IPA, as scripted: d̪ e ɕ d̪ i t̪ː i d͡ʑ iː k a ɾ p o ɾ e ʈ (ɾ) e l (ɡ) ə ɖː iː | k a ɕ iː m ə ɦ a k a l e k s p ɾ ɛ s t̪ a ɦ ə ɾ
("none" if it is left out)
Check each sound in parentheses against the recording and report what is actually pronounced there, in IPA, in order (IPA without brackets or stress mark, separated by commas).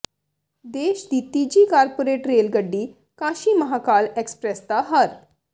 ɾ, ɡ